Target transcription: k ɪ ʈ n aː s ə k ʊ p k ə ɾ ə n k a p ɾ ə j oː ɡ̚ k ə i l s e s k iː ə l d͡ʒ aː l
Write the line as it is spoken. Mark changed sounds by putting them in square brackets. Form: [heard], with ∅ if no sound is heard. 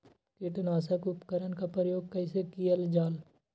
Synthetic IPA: k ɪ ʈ n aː s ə k ʊ p k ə ɾ ə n k a p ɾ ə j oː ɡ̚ k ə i [∅] s e [∅] k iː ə l d͡ʒ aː l